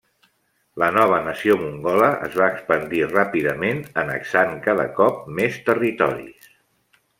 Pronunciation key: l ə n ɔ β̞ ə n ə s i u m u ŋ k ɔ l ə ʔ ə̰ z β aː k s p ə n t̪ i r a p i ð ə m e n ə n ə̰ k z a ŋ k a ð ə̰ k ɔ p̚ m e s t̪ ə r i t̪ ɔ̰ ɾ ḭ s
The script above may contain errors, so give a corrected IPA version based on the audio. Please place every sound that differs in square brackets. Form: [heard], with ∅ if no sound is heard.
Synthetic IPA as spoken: l ə n ɔ β̞ ə n ə s i [o] m u ŋ [ɡ] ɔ l ə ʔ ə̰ z β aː k s p ə n [d̪] i r a p i ð ə m e n ə n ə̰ k [s] a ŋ k a ð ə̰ k ɔ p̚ m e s t̪ ə r i t̪ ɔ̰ ɾ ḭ s